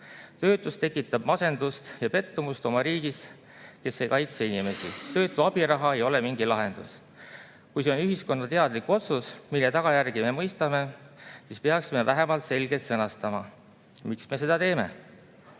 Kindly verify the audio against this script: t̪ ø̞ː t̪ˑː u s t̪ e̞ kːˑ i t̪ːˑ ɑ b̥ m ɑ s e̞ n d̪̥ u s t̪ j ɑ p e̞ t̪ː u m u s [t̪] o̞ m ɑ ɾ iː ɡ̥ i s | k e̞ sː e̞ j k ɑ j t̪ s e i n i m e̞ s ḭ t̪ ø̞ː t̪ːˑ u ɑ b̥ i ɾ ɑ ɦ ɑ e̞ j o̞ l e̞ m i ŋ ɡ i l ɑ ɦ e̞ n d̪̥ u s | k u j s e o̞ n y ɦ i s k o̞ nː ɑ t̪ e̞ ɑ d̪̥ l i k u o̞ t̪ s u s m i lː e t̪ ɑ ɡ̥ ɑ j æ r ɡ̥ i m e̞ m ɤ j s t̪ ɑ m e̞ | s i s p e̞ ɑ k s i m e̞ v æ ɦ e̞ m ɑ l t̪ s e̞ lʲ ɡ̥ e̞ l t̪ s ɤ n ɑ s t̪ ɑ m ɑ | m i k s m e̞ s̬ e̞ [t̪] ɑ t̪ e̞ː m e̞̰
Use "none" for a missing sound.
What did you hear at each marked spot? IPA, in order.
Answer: t̪, d̪

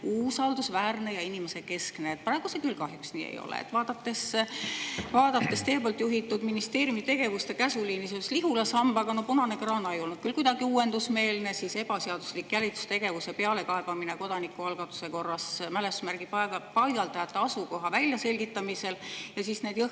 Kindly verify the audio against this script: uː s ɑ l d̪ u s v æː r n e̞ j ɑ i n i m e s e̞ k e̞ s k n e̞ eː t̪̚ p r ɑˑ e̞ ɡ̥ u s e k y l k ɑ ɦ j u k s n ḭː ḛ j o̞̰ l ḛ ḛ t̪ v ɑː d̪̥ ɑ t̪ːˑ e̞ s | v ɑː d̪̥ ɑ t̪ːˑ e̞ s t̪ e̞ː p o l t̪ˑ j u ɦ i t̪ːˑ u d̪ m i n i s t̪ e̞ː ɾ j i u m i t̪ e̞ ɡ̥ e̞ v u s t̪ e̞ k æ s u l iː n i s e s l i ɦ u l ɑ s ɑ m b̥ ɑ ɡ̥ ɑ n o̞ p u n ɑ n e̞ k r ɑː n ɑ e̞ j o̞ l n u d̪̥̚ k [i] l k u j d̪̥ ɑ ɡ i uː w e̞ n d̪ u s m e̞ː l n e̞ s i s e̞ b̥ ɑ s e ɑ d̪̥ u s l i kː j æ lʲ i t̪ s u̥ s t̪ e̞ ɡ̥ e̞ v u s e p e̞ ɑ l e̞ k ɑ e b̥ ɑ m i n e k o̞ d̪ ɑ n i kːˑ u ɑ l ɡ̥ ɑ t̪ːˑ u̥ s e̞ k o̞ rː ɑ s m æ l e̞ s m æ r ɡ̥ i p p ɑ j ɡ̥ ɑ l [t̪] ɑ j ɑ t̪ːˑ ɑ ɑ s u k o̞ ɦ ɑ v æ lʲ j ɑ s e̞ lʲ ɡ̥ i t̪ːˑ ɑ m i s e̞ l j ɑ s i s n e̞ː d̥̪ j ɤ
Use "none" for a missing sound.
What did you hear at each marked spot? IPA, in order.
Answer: y, t̪

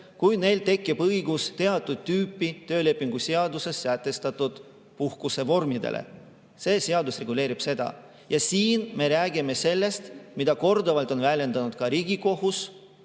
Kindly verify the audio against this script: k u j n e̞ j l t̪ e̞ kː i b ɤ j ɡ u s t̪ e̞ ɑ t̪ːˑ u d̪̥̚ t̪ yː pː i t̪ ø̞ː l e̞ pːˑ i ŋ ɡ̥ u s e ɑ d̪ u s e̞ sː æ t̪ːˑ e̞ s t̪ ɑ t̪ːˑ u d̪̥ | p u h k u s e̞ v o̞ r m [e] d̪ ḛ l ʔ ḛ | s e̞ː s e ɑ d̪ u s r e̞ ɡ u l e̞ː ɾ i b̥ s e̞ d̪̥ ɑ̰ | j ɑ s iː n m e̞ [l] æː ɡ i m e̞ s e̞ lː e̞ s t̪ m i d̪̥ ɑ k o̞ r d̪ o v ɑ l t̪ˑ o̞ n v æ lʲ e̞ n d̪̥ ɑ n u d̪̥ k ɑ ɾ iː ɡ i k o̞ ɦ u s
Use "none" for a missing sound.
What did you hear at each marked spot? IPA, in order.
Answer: i, ɾ

